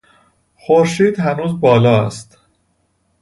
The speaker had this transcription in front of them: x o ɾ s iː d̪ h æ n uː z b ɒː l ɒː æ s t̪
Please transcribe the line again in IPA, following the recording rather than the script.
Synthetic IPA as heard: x o ɾ ʃ iː d̪ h æ n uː z b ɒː l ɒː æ s t̪